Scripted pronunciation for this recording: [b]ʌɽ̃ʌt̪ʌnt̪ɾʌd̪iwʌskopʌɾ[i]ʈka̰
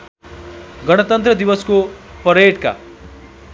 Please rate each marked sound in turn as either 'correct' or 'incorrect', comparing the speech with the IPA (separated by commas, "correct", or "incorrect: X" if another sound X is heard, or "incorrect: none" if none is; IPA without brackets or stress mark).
incorrect: ɡ, incorrect: e